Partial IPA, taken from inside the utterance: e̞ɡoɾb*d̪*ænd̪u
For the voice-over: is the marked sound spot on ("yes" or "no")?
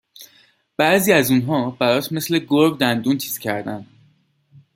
yes